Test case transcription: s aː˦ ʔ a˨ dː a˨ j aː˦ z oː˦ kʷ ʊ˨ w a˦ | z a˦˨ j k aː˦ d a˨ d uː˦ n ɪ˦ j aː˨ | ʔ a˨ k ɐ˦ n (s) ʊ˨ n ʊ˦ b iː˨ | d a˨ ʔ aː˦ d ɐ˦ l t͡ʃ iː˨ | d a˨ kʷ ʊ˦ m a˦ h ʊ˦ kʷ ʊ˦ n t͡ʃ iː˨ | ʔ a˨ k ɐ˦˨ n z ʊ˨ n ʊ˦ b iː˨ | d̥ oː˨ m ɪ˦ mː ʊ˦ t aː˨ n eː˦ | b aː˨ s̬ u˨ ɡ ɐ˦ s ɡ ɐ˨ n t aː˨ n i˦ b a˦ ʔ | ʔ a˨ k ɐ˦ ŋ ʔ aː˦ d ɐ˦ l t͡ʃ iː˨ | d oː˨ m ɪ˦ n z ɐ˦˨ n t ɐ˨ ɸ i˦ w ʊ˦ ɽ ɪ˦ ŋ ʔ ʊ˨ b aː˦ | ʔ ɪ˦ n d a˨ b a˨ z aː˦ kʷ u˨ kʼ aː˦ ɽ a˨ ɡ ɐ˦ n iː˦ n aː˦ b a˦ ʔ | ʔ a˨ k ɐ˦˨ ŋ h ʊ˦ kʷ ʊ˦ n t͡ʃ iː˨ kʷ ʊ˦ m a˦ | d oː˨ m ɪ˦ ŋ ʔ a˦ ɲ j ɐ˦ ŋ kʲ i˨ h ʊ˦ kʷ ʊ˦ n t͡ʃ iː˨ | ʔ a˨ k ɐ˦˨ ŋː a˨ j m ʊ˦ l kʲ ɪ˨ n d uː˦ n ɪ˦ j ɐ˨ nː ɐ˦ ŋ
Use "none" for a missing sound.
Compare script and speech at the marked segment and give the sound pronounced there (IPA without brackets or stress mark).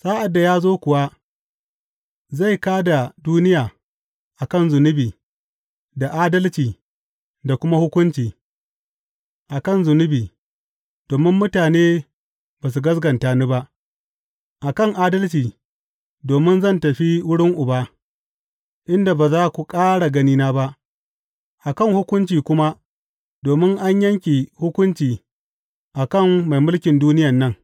z